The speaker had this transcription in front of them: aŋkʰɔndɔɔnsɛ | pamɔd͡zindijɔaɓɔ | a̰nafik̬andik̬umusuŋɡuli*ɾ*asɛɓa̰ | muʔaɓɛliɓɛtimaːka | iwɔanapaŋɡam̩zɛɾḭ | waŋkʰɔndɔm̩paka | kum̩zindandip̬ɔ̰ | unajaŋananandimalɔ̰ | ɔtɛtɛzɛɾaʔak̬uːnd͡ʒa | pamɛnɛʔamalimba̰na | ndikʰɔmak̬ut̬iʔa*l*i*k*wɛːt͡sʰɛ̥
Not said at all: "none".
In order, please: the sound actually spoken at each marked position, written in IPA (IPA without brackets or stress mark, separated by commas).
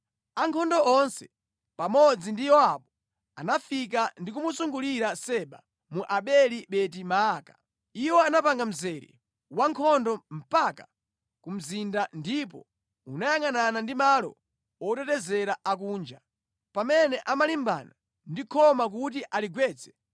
ɾ, l, ɡ